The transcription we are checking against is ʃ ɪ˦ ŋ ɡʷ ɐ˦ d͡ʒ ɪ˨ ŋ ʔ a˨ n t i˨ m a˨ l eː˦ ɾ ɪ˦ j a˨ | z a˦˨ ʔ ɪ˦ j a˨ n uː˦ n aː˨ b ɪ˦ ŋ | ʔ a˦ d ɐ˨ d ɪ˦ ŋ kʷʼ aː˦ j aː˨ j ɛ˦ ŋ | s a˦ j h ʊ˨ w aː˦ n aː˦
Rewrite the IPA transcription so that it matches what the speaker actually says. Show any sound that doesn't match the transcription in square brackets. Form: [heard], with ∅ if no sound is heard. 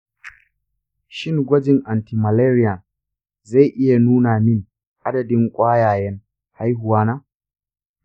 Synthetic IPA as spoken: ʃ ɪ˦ ŋ ɡʷ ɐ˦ d͡ʒ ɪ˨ ŋ ʔ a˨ n t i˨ m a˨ l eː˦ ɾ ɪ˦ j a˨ | z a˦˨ ʔ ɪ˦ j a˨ n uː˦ n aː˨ [m] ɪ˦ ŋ | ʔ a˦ d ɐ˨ d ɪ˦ ŋ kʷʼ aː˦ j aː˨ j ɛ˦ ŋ | [h] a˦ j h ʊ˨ w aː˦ n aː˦